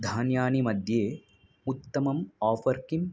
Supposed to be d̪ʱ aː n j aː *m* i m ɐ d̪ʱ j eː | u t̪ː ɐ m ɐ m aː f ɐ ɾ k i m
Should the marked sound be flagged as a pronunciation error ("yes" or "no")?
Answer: yes